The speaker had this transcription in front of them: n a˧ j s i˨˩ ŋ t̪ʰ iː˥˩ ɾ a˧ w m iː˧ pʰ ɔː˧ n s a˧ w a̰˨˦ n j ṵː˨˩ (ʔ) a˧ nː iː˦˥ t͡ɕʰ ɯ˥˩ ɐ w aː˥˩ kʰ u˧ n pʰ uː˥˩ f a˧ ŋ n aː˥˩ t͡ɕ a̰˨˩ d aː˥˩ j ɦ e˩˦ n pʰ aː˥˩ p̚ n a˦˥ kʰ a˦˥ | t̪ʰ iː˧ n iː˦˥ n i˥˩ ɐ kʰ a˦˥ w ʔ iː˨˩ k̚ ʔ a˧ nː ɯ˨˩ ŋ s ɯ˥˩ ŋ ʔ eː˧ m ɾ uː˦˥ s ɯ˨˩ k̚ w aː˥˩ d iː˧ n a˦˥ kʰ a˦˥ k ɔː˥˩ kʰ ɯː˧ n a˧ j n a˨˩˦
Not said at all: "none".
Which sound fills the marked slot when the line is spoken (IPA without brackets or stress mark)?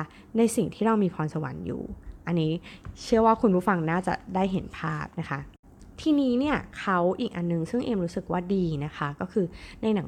ʔ